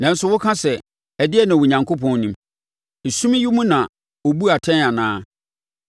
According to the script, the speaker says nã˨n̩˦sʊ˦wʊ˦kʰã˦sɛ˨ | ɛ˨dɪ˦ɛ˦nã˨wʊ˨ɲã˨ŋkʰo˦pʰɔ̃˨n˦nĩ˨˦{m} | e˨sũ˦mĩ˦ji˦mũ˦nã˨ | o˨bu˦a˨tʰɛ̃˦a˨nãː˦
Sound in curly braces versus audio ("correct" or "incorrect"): correct